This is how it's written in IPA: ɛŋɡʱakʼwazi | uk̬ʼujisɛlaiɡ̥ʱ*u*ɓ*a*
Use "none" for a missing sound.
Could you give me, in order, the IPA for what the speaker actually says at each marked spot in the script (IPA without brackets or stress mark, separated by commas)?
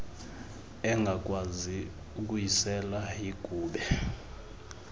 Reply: uː, ɛ